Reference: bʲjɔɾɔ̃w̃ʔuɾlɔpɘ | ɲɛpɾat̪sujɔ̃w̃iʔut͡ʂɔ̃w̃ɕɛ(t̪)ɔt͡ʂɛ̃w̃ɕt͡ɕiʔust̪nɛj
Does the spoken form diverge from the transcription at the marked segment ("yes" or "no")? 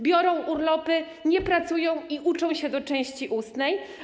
yes